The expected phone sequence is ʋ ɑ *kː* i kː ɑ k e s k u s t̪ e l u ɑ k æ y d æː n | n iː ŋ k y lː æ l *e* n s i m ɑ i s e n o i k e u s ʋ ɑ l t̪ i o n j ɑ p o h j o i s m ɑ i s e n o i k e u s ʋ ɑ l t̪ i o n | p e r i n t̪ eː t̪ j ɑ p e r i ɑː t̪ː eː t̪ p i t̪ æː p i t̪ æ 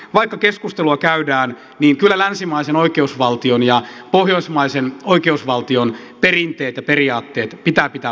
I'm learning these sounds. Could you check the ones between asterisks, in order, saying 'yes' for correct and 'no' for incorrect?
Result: no, no

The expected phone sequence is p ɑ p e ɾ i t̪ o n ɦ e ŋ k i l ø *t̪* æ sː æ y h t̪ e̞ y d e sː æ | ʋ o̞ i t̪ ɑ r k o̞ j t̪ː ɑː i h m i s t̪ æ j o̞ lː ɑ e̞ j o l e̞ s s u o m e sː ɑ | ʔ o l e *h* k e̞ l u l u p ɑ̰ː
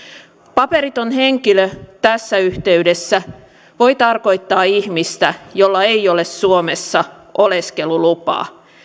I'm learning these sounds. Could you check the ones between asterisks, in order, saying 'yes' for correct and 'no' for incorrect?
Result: yes, no

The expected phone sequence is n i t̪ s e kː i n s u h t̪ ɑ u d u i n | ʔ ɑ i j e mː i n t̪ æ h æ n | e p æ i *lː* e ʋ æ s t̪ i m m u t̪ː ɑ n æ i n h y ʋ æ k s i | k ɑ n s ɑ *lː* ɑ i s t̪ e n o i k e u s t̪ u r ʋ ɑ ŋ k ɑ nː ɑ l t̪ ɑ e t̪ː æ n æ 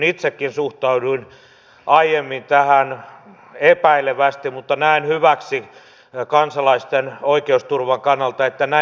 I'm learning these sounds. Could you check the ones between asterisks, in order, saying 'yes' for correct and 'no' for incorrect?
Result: no, no

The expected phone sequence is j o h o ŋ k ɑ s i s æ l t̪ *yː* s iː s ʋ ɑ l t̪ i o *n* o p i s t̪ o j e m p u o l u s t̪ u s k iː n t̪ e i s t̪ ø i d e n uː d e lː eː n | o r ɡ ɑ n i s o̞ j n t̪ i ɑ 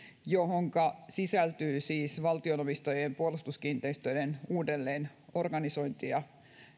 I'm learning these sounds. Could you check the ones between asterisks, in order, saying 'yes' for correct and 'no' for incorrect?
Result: yes, yes

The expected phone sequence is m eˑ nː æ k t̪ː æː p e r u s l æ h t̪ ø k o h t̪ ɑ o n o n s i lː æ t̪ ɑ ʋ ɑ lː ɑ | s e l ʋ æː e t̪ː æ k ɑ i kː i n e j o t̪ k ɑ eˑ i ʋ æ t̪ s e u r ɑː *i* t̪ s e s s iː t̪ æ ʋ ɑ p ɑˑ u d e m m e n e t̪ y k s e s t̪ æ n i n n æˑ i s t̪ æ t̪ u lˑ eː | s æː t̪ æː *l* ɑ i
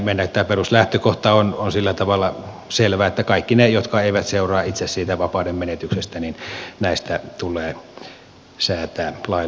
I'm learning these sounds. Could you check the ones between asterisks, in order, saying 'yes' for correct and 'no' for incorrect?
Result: yes, yes

